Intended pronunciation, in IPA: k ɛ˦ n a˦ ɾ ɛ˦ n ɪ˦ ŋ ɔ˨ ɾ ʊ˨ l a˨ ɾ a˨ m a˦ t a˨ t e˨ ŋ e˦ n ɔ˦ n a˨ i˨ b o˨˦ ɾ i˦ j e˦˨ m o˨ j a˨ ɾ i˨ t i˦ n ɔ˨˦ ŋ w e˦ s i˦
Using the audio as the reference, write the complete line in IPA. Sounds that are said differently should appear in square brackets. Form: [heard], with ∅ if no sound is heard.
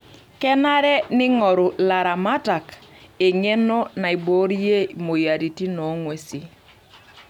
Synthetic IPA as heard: k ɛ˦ n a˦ ɾ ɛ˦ n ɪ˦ ŋ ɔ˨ ɾ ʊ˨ l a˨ ɾ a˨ m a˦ t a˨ [k] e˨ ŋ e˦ n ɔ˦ n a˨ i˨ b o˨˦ ɾ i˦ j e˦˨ m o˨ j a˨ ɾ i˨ t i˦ n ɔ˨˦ ŋ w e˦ s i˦